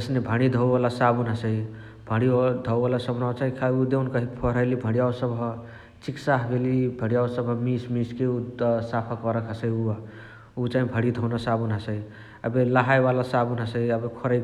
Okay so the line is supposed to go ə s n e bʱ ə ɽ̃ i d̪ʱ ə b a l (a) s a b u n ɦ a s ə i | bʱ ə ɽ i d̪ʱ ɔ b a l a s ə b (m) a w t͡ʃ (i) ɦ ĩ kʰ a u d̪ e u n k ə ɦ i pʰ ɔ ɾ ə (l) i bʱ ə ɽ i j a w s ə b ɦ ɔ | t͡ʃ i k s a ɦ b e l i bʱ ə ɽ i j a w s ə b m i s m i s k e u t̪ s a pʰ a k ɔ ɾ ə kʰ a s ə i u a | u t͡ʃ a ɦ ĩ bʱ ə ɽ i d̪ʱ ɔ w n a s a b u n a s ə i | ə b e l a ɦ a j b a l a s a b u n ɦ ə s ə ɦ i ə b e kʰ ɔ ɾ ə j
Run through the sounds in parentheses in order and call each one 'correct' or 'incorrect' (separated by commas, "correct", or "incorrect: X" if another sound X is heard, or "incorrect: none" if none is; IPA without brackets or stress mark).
correct, incorrect: n, incorrect: a, correct